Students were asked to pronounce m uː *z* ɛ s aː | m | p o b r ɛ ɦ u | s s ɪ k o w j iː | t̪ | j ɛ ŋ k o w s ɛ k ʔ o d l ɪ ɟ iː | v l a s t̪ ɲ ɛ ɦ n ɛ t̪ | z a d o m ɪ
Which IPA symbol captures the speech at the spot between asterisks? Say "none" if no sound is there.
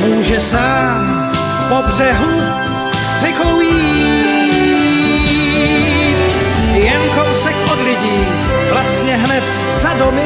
ʒ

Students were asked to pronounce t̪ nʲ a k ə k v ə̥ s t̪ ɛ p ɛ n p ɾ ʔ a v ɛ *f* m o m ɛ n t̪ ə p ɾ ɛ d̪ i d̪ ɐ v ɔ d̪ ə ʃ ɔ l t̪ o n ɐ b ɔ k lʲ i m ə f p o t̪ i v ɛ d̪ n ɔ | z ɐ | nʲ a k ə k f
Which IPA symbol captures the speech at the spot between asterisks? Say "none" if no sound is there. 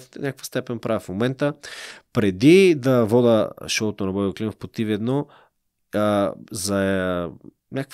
f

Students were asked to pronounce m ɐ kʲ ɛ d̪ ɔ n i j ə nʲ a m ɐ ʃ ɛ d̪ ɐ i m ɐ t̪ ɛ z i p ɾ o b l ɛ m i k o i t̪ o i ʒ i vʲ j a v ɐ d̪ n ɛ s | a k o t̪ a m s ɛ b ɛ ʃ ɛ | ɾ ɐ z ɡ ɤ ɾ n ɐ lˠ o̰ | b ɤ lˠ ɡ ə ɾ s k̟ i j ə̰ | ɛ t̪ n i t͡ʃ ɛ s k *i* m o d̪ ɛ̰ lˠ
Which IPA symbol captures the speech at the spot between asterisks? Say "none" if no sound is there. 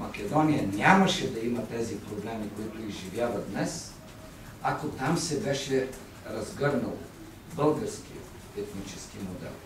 i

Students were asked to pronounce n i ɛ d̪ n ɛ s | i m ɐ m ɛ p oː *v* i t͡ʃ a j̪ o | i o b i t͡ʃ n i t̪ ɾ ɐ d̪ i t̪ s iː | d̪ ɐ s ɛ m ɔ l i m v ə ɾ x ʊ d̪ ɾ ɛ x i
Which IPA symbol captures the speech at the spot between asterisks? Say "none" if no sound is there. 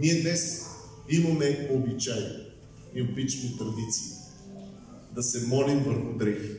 b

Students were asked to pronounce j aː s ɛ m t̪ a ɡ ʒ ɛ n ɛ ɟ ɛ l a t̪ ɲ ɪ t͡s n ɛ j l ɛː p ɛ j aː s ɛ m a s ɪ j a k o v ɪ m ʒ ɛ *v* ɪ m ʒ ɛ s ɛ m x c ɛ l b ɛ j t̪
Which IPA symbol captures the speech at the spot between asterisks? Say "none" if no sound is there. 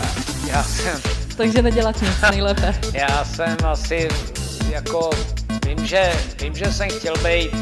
v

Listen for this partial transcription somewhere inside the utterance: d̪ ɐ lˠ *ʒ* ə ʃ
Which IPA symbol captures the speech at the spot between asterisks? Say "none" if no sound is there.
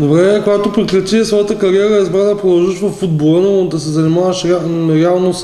ʒ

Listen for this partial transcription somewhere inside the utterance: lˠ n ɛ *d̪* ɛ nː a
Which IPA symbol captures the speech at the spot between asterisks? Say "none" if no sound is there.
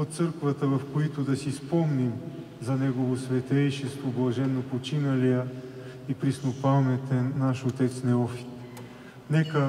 t̪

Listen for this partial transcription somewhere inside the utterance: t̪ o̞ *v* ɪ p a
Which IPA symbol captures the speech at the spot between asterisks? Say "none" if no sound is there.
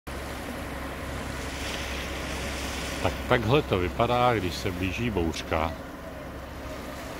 v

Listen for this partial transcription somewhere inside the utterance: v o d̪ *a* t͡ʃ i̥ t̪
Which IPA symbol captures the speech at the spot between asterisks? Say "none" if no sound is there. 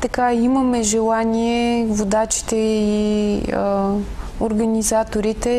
a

